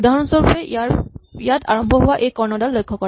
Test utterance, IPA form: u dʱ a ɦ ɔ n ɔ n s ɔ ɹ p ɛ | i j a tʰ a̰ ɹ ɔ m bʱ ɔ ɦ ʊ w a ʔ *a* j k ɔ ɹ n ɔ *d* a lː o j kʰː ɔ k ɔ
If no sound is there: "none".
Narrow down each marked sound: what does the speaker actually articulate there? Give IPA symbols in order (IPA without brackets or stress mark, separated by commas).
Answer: e, d